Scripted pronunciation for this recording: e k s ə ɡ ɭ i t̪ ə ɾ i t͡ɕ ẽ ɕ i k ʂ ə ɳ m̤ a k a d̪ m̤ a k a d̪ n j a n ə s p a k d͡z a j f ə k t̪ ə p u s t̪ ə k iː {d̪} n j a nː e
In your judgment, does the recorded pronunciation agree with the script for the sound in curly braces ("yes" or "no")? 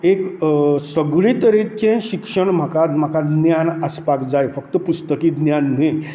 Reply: yes